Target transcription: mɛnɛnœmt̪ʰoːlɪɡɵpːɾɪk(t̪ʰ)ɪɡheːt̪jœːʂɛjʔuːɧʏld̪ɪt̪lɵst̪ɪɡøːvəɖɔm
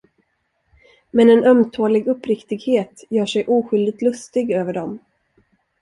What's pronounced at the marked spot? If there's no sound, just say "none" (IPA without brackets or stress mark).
t̪